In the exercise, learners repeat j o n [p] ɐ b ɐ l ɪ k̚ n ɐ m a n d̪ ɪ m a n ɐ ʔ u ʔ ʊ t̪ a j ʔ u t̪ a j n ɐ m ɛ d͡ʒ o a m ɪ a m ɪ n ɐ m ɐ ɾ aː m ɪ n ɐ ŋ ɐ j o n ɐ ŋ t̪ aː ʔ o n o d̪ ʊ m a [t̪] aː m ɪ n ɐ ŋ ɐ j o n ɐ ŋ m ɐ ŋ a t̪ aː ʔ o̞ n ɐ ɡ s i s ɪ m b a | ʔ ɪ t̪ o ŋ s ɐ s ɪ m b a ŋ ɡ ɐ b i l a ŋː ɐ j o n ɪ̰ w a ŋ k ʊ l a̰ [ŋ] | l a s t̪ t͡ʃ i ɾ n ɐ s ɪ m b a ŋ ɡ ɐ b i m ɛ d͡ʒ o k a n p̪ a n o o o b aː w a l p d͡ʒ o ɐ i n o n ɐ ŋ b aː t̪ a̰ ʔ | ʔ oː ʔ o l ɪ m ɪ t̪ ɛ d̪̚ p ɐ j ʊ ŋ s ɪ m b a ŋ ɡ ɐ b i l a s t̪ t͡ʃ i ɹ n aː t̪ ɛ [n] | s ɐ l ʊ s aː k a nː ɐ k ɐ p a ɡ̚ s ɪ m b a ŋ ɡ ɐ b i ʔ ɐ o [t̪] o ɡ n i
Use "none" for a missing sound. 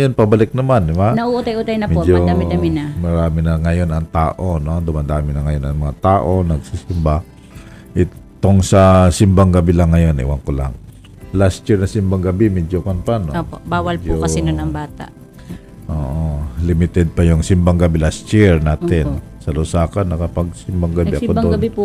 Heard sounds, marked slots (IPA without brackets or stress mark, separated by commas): p, d̪, ŋ, n, d̪